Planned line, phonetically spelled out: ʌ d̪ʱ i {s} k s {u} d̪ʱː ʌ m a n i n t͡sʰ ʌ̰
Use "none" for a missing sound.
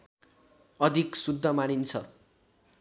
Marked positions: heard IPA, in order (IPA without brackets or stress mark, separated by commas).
none, u